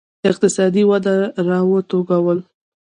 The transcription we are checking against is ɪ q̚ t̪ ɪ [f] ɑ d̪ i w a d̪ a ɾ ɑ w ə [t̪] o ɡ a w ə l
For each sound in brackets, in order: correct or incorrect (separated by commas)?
incorrect, correct